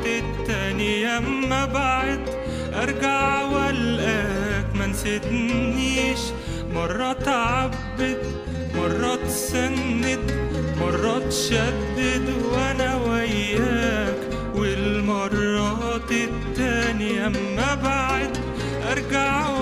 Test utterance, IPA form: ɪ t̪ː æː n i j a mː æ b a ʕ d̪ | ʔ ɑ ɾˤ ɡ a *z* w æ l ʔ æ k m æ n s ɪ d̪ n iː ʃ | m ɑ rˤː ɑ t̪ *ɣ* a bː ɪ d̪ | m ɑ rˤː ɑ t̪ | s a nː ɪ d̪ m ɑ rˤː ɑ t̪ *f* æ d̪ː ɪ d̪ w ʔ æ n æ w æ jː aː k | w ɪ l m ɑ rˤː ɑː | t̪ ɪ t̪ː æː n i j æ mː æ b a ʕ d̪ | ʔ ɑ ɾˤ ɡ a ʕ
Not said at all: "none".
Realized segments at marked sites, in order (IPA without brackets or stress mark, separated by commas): ʕ, ʕ, ʃ